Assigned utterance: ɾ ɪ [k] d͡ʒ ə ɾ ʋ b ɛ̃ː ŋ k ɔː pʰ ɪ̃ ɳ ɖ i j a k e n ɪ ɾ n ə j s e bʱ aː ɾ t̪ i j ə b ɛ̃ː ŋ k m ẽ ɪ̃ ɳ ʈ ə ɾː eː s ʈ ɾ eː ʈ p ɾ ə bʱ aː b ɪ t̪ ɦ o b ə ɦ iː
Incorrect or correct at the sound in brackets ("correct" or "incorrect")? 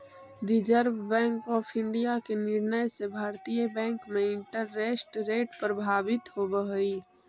incorrect